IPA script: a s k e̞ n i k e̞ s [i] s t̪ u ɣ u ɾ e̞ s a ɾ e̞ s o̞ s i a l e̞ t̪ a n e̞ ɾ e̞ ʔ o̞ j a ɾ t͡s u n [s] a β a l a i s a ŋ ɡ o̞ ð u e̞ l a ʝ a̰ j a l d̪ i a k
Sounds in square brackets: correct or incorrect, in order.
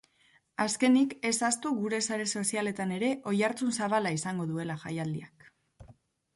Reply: incorrect: a, correct

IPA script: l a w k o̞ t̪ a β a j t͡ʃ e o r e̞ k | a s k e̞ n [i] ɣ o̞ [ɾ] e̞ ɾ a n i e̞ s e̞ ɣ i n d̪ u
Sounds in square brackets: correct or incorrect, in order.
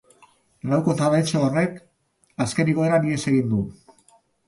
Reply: correct, incorrect: none

